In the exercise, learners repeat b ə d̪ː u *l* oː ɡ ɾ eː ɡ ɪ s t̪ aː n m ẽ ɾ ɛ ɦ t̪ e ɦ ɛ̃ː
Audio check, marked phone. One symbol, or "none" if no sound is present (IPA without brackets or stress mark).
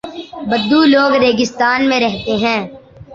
l